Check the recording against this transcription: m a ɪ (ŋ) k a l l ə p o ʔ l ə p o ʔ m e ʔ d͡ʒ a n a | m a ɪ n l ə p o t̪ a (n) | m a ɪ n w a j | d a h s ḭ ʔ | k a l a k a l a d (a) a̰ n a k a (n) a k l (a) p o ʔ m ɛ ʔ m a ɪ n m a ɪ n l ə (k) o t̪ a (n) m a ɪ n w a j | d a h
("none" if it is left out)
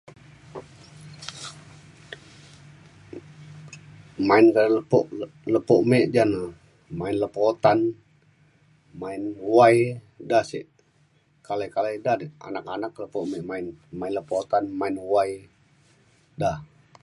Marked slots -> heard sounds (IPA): n, n, a, n, ə, p, n

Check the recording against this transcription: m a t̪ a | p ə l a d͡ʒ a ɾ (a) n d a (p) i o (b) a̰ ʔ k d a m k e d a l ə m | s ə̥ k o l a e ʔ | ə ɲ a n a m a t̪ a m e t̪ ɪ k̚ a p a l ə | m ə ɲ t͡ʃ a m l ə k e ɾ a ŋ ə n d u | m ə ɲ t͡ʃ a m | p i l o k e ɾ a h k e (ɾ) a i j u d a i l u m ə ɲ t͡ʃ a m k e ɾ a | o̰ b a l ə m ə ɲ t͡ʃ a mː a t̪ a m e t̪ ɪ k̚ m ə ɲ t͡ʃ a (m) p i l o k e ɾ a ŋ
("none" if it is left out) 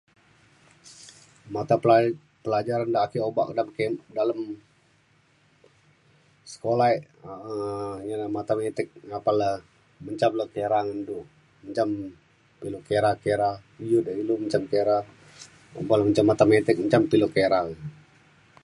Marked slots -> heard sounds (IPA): a, k, b, ɾ, m

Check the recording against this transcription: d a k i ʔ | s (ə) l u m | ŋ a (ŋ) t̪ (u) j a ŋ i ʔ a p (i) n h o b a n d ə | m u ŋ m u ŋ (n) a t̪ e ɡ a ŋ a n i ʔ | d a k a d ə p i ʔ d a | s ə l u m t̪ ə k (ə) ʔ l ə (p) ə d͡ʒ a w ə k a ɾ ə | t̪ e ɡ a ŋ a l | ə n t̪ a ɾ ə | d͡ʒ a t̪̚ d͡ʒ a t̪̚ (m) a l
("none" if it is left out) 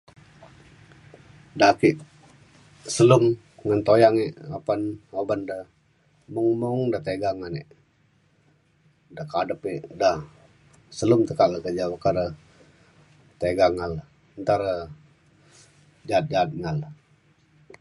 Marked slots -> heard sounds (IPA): ə, n, o, a, d, a, k, ŋ

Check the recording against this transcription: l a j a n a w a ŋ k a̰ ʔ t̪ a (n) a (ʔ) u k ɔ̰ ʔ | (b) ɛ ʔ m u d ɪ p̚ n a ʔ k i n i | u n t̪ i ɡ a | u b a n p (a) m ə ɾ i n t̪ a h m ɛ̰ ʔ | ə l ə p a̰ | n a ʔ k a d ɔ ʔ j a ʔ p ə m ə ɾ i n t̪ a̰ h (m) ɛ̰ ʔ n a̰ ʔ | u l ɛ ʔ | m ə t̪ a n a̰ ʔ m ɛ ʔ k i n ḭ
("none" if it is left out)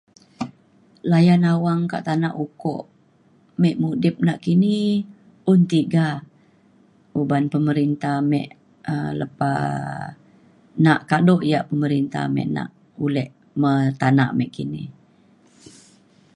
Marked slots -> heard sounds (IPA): n, ʔ, m, ə, m

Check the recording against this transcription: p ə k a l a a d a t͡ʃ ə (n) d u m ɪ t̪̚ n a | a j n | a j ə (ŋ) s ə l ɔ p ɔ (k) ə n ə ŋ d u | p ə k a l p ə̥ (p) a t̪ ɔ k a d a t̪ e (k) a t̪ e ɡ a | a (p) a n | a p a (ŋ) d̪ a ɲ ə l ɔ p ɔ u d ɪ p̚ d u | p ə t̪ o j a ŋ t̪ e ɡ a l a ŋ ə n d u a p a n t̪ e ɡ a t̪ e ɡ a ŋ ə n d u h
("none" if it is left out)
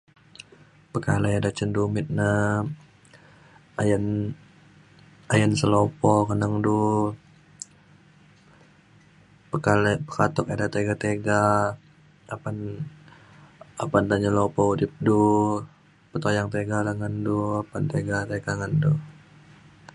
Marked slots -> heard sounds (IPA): n, n, k, k, ɡ, p, n

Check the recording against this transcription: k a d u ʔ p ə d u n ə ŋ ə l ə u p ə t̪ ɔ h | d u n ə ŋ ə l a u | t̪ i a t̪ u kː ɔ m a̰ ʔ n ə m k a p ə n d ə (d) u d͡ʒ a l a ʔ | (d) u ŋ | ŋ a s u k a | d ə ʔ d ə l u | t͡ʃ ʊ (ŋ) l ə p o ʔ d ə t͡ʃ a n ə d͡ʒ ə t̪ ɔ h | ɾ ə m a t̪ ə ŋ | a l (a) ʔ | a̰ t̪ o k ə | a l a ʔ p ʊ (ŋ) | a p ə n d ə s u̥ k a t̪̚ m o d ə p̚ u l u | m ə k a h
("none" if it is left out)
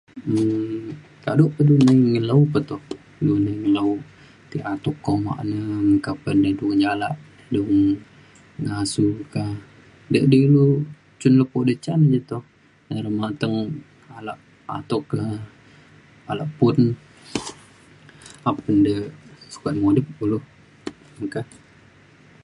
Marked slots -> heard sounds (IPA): d, d, n, a, n

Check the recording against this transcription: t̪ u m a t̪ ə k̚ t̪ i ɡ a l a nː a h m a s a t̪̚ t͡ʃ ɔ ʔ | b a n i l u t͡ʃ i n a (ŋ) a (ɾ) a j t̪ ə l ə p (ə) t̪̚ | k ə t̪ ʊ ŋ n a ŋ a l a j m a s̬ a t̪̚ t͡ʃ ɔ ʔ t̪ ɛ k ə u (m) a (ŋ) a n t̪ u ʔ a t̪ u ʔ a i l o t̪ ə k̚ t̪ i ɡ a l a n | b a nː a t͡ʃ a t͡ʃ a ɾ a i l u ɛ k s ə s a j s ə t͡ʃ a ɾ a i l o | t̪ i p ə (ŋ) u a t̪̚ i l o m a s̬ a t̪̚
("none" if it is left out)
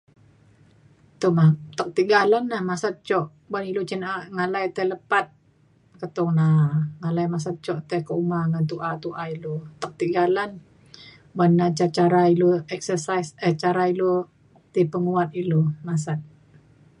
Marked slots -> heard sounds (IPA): ŋ, l, a, m, ŋ, ŋ

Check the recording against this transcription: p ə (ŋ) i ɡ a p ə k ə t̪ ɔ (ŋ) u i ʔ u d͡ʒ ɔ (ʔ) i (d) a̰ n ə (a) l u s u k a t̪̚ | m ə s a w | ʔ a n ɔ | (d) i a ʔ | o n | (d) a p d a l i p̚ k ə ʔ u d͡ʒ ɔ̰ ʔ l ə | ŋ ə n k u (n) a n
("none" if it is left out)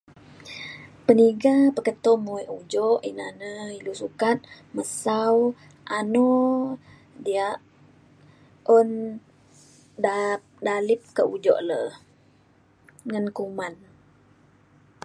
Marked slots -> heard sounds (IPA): n, m, ʔ, n, i, d, d, m

